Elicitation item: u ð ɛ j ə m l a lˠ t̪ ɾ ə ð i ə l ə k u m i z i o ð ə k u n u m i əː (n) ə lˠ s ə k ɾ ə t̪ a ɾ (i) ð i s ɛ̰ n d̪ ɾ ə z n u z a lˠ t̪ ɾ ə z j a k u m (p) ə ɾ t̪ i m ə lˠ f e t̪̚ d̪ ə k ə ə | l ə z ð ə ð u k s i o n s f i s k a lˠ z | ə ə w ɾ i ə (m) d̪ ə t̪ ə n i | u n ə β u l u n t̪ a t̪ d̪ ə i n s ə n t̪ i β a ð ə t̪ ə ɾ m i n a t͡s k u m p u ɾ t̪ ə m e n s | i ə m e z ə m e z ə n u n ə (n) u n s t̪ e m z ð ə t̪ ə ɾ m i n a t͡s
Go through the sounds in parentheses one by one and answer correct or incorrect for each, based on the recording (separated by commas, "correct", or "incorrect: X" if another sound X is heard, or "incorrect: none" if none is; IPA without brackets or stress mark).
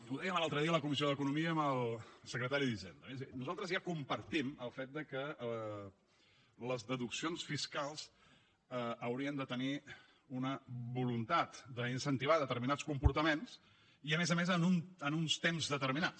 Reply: incorrect: m, correct, correct, incorrect: n, correct